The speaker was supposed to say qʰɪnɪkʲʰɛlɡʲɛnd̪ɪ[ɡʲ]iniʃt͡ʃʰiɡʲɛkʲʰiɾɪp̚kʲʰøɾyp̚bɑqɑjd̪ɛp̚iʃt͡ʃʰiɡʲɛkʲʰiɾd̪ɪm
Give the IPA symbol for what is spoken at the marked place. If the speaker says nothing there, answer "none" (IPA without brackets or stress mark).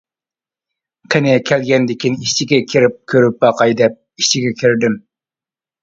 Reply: kʲ